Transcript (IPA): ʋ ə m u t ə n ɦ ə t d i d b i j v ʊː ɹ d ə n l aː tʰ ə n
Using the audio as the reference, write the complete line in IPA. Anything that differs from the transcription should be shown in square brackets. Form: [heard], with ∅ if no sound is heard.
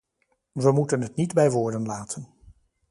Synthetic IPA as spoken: ʋ ə m u t ə n ɦ ə t [n] i d b [ɛ] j [ʋ] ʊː ɹ d ə n l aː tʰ ə n